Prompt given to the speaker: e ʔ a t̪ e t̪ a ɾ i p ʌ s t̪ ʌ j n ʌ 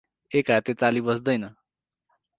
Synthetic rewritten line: e k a t̪ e t̪ a l i b ʌ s d̪ ʌ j n ʌ